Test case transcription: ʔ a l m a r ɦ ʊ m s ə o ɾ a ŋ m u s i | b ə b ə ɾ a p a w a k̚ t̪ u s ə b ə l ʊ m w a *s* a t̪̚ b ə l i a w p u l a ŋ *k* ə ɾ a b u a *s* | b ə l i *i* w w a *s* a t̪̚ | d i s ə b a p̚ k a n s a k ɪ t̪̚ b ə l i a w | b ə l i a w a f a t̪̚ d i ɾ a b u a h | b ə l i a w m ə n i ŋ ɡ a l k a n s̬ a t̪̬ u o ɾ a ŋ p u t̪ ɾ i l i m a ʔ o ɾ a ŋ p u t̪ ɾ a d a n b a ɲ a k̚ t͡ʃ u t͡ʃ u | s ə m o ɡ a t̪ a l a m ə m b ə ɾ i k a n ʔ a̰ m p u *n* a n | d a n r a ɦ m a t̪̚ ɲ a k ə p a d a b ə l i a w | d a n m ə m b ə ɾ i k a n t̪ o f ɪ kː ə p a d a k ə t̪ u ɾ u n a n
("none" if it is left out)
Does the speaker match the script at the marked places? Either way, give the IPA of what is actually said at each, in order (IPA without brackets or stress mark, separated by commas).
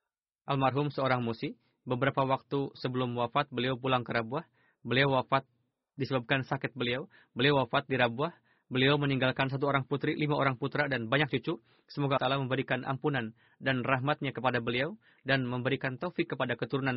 f, k, h, a, f, n